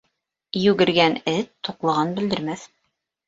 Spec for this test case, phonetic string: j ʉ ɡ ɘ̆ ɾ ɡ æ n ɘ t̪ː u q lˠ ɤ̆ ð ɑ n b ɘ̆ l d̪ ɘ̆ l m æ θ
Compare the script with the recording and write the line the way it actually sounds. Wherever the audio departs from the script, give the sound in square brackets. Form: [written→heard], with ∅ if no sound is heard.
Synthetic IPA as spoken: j ʉ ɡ ɘ̆ ɾ ɡ æ n ɘ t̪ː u q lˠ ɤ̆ [ð→ʁ] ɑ n b ɘ̆ l d̪ ɘ̆ [l→ɾ] m æ θ

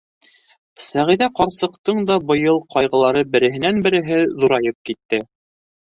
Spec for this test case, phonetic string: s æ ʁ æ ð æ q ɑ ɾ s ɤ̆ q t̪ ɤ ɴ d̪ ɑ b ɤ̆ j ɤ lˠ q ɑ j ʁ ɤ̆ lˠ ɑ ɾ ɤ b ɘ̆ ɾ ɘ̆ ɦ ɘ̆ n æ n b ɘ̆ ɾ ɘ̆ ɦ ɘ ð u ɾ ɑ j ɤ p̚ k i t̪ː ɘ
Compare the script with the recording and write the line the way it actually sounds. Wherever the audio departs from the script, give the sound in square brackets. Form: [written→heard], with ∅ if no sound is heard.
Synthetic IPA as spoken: s æ ʁ [æ→i] ð æ q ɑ ɾ s ɤ̆ q t̪ ɤ ɴ d̪ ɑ b ɤ̆ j ɤ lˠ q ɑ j ʁ ɤ̆ lˠ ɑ ɾ ɤ b ɘ̆ ɾ ɘ̆ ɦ ɘ̆ n æ n b ɘ̆ ɾ ɘ̆ ɦ ɘ ð u ɾ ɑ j ɤ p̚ k i t̪ː ɘ

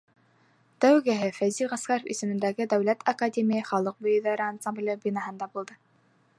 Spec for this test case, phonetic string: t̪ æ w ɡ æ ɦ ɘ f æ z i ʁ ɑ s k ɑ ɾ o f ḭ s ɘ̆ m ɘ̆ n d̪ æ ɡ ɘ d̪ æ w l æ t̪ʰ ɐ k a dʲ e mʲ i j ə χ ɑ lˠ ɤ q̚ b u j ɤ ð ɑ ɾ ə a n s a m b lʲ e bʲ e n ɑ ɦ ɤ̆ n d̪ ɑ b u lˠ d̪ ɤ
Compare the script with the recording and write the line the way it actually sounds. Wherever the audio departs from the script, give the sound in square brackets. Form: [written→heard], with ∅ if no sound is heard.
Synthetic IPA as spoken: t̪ æ w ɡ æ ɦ ɘ f æ z i ʁ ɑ s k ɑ ɾ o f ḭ s ɘ̆ m ɘ̆ n d̪ æ ɡ ɘ d̪ æ w l æ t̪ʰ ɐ k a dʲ e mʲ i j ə χ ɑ lˠ ɤ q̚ b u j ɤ ð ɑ ɾ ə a n s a m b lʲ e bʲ [e→i] n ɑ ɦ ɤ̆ n d̪ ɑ b u lˠ d̪ ɤ

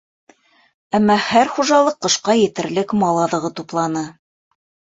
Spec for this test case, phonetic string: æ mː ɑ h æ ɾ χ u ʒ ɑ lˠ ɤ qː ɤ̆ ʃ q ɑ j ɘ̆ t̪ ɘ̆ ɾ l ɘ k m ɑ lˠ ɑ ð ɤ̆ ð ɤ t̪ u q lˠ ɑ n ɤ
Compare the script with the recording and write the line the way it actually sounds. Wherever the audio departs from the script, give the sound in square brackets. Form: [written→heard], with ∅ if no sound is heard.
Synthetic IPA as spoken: æ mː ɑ h æ ɾ χ u ʒ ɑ lˠ ɤ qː ɤ̆ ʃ q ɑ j ɘ̆ t̪ ɘ̆ ɾ l ɘ k m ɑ lˠ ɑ ð ɤ̆ [ð→ʁ] ɤ t̪ u [q→p] lˠ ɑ n ɤ

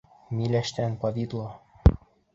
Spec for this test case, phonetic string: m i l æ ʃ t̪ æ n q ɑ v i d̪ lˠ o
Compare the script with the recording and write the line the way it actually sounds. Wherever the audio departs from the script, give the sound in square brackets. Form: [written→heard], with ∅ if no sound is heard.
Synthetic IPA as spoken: m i l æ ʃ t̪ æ n [q→p] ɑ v i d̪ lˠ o

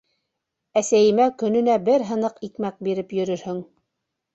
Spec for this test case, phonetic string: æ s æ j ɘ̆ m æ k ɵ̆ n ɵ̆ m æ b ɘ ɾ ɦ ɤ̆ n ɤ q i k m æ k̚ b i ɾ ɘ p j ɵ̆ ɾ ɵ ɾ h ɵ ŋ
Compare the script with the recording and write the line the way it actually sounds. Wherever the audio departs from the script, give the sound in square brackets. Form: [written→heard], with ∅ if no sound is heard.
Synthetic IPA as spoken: æ s æ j ɘ̆ m æ k ɵ̆ n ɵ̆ [m→n] æ b ɘ ɾ ɦ ɤ̆ n ɤ q i k m æ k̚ b i ɾ ɘ p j ɵ̆ ɾ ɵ ɾ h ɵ ŋ

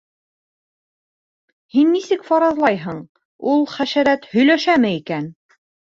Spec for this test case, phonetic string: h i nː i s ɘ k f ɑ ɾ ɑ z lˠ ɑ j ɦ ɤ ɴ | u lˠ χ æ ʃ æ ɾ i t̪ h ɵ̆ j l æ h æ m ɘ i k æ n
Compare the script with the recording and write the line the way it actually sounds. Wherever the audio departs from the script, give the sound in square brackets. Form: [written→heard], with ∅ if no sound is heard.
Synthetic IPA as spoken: h i nː i s ɘ k f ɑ ɾ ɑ z lˠ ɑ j ɦ ɤ ɴ | u lˠ χ æ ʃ æ ɾ [i→æ] t̪ h ɵ̆ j l æ [h→ʃ] æ m ɘ i k æ n

